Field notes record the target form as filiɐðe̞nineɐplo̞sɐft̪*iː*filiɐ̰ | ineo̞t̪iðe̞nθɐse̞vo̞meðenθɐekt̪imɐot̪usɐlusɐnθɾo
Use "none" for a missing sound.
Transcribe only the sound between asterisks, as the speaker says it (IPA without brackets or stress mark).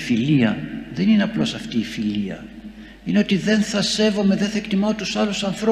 iː